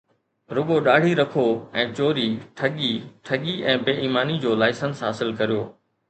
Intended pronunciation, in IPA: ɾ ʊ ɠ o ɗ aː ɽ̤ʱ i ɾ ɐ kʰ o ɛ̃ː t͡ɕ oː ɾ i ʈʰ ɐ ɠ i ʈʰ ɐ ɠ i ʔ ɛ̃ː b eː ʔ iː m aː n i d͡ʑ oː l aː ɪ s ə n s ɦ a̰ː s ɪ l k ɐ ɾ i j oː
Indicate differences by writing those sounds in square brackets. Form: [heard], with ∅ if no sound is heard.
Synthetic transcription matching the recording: ɾ ʊ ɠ o ɗ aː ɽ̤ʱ i ɾ ɐ kʰ o ɛ̃ː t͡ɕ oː ɾ i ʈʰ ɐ ɠ i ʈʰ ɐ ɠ i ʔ ɛ̃ː b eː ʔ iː m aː n i d͡ʑ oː l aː ɪ s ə n s ɦ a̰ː s ɪ l k ɐ ɾ i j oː